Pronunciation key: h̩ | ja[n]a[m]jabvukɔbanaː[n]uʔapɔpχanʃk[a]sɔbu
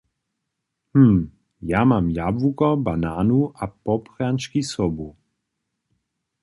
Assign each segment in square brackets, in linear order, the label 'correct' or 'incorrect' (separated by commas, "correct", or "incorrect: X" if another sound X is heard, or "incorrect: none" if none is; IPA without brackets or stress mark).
incorrect: m, correct, correct, incorrect: i